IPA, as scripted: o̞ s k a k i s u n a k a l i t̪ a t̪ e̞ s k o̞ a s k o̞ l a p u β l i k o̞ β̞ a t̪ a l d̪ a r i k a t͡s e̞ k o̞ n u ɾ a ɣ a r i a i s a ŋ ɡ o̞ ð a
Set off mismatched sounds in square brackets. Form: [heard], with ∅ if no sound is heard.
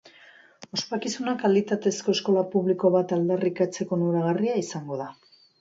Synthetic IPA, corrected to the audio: o̞ s [p] a k i s u n a k a l i t̪ a t̪ e̞ s k o̞ [e] s k o̞ l a p u β l i k o̞ β̞ a t̪ a l d̪ a r i k a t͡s e̞ k o̞ n u ɾ a ɣ a r i a i s a ŋ ɡ o̞ ð a